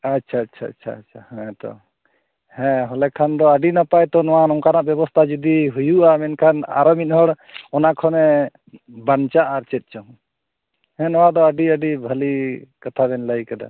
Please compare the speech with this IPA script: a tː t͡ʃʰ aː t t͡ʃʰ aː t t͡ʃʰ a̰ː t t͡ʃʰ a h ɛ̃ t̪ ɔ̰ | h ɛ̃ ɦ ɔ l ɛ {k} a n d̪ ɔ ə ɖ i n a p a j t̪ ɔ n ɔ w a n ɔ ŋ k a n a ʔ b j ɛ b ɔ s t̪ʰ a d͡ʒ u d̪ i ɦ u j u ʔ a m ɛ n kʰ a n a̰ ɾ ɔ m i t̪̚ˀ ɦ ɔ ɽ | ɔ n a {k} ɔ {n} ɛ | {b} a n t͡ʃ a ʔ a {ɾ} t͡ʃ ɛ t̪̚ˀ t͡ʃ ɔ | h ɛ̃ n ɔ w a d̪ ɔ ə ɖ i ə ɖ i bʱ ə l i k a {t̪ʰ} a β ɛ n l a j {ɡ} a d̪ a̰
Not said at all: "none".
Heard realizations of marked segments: kʰ, kʰ, n, b, ɾ, t̪ʰ, k

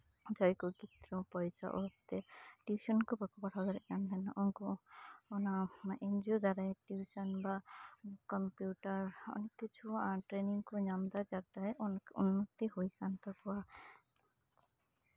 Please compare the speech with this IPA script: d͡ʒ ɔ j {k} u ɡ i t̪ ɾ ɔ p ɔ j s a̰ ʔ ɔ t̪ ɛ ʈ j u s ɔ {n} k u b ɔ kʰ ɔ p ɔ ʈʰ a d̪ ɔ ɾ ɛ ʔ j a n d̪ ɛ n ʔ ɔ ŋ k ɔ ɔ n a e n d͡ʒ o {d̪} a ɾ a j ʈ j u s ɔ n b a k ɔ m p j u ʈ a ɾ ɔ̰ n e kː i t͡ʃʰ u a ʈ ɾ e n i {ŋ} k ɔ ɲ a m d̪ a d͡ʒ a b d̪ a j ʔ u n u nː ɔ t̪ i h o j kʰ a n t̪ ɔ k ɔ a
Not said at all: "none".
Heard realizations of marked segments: k, n, d̪, ŋ

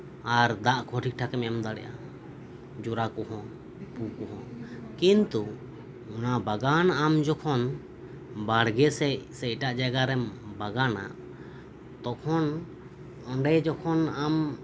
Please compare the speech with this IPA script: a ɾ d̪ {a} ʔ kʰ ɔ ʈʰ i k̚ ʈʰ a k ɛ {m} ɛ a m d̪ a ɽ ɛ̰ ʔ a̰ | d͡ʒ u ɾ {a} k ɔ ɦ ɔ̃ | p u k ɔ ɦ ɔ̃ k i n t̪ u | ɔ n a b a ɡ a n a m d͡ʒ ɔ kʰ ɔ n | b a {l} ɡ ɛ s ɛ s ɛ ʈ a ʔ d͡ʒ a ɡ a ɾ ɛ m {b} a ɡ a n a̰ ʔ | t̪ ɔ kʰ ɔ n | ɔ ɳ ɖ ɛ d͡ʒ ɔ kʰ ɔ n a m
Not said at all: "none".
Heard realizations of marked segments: a, m, a, ɽ, b

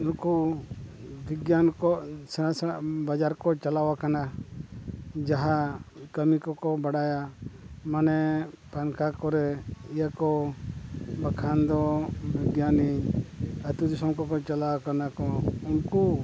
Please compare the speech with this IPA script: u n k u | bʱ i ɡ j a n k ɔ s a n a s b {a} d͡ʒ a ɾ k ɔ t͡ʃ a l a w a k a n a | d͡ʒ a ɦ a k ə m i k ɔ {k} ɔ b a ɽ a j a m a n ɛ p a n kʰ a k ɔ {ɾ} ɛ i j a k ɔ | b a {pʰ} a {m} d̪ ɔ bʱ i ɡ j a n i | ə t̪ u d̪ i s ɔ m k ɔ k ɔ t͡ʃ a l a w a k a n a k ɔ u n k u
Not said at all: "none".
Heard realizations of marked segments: a, k, ɾ, kʰ, n

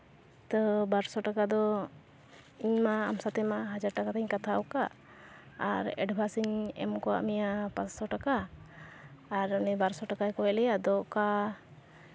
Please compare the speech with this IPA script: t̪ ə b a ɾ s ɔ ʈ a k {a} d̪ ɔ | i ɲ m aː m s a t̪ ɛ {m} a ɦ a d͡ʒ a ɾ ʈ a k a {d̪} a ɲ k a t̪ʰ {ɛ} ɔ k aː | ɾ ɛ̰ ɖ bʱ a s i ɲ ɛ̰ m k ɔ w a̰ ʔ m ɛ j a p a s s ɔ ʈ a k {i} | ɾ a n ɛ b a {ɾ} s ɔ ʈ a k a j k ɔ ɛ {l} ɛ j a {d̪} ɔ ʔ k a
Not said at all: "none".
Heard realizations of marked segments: a, m, t̪, a, a, ɾ, l, d̪

